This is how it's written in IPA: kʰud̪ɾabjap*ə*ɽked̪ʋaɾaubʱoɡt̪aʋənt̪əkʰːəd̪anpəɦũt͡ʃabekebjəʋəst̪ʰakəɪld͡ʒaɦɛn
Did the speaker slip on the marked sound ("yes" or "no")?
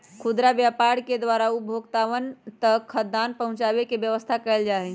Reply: yes